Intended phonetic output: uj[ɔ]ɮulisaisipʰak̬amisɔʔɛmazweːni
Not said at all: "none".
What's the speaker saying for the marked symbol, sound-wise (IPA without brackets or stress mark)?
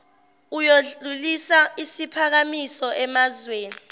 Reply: o